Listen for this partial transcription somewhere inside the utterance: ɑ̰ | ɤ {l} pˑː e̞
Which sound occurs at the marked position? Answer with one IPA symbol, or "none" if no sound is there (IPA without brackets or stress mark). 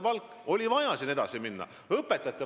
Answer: none